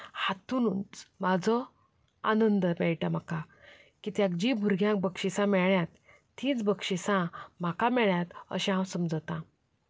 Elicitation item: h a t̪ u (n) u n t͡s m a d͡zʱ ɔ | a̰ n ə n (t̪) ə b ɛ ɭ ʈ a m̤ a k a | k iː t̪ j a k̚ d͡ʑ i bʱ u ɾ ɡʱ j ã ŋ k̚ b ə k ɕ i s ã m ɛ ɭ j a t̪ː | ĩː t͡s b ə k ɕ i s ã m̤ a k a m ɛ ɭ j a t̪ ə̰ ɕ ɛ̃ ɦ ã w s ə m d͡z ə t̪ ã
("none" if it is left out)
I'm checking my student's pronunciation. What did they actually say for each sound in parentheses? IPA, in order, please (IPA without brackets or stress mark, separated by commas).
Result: n, d̪